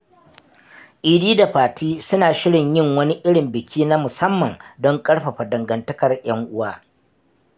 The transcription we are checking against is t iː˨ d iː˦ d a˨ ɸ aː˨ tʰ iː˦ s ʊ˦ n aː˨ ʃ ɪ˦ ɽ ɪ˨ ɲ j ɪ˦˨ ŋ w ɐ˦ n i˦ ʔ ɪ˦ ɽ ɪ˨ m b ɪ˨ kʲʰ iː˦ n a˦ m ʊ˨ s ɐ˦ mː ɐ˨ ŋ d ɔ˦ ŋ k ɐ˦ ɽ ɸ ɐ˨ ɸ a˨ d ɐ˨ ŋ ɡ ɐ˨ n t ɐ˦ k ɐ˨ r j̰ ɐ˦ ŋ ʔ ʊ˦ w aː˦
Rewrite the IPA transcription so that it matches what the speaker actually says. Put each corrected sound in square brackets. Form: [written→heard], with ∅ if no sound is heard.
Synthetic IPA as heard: [t→ʔ] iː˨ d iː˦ d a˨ ɸ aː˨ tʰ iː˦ s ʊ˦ n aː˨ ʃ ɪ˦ ɽ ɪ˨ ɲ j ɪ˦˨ ŋ w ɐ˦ n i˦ ʔ ɪ˦ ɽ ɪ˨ m b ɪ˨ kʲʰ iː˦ n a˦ m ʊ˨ s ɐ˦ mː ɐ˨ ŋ d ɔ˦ ŋ [k→kʼ] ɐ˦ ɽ ɸ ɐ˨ ɸ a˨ d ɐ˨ ŋ ɡ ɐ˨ n t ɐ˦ k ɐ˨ r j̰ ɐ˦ ŋ ʔ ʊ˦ w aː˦